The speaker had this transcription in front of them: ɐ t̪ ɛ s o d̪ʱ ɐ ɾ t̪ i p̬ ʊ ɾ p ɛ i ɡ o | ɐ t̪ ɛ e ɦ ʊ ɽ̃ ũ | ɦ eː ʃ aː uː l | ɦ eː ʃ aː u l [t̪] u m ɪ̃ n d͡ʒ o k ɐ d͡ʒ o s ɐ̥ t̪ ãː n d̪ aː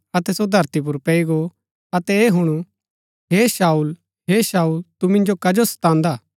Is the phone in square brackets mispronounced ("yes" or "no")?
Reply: no